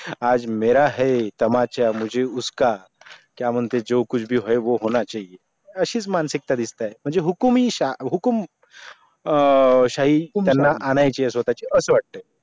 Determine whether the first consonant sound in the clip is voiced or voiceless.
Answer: voiced